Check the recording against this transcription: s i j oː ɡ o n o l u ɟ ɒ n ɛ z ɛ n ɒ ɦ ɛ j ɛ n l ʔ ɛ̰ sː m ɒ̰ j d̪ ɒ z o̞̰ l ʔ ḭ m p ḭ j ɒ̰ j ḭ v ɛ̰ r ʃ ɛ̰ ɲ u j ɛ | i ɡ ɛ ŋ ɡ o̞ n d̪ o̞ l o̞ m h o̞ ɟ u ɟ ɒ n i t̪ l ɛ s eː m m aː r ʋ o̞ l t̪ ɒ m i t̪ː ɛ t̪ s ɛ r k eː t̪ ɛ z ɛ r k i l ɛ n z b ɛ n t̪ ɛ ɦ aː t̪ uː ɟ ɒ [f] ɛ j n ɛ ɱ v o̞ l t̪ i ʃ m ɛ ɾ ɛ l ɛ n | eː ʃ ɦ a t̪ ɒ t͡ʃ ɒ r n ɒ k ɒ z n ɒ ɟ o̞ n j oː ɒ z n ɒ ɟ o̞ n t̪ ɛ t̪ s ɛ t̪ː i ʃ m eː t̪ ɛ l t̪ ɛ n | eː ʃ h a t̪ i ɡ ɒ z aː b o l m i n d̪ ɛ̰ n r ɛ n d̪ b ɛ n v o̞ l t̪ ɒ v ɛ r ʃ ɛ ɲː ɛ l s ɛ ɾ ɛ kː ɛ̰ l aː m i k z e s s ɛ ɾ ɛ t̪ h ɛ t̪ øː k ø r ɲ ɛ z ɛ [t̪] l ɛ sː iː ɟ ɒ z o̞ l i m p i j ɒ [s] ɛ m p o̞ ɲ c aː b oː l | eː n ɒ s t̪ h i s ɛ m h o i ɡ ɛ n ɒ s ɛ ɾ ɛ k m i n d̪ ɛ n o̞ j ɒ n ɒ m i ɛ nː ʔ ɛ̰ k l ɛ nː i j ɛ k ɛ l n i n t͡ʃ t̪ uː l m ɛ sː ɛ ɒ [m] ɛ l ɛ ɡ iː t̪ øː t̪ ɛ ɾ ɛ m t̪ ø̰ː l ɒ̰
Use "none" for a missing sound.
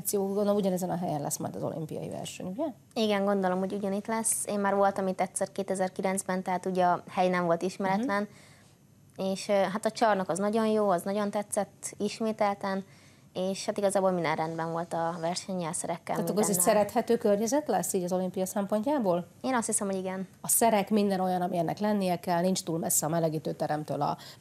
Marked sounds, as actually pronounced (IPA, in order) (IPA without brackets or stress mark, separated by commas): h, t̪, s, m